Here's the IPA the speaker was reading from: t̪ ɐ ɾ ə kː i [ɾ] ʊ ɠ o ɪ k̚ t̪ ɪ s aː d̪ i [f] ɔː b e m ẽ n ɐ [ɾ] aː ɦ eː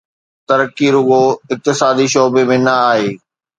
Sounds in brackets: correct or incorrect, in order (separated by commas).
correct, incorrect, incorrect